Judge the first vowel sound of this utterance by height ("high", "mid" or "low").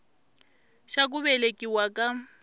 low